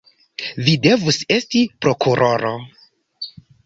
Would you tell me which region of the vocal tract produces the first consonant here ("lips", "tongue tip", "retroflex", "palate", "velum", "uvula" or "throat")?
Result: lips